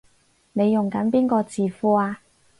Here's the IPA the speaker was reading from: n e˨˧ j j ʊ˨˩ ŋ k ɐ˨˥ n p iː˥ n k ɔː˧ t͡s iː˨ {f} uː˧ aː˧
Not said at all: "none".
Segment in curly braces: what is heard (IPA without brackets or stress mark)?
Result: f